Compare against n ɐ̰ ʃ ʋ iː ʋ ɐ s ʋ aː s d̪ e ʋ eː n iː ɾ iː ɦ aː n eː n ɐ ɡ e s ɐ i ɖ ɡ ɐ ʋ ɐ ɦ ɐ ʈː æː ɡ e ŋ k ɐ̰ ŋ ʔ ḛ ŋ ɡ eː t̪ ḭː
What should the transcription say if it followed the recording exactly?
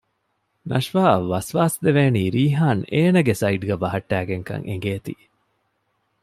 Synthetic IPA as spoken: n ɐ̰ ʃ ʋ aː ʋ ɐ s ʋ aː s d̪ e ʋ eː n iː ɾ iː ɦ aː n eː n ɐ ɡ e s ɐ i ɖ ɡ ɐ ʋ ɐ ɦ ɐ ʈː æː ɡ e ŋ k ɐ̰ ŋ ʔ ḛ ŋ ɡ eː t̪ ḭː